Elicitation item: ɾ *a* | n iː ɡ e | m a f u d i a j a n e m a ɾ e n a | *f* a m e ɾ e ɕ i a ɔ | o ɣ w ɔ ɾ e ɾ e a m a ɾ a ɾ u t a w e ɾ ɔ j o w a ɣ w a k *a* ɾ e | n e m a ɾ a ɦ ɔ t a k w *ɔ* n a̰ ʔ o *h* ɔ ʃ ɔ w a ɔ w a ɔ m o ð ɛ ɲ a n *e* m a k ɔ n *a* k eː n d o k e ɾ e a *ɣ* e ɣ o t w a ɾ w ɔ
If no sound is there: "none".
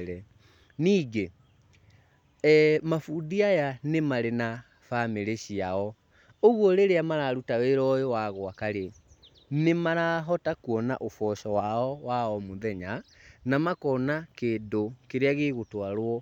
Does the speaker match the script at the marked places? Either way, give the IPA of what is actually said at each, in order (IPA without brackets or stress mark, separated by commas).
ɛ, f, a, ɔ, f, a, a, ɣ